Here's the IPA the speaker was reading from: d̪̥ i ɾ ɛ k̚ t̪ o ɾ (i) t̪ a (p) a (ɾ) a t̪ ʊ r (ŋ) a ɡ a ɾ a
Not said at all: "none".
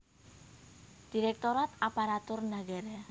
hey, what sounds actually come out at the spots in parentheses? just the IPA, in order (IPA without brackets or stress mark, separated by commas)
a, p, ɾ, n